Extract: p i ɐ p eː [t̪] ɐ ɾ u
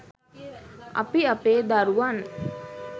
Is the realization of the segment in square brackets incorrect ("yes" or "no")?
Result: yes